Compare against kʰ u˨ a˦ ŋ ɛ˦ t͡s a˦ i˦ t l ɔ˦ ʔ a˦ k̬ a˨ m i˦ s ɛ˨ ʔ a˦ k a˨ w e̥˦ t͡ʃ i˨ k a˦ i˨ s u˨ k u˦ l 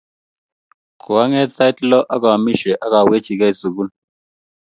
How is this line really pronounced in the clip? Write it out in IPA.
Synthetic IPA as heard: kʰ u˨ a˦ ŋ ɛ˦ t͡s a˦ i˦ t l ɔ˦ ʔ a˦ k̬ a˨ m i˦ ʃ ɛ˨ ʔ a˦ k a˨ w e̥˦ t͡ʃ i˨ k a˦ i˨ s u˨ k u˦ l